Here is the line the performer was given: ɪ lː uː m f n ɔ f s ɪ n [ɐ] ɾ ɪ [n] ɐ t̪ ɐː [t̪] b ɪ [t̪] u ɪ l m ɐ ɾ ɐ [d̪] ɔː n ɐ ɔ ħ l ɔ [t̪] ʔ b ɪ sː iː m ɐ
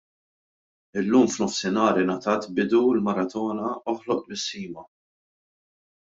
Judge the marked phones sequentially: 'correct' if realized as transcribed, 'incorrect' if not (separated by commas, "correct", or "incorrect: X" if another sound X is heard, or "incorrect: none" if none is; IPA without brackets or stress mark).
incorrect: ɐː, correct, correct, incorrect: d̪, incorrect: t̪, incorrect: none